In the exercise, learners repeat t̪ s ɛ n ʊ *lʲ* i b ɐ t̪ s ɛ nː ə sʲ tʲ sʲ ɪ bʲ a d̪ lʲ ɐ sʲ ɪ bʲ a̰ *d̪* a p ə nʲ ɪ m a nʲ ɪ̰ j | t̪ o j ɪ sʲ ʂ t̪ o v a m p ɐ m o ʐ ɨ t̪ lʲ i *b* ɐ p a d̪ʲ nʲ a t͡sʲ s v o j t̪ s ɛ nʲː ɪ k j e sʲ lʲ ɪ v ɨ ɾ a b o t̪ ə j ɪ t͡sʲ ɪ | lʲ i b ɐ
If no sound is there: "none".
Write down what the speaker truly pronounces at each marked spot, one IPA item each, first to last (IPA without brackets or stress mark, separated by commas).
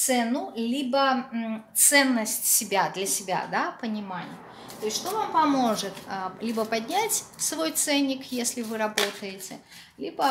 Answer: lʲ, d̪, b